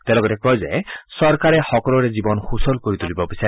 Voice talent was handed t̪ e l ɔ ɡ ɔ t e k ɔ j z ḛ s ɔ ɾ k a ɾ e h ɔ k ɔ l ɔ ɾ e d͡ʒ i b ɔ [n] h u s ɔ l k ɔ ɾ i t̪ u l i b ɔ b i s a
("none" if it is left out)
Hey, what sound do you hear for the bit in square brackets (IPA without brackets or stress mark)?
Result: n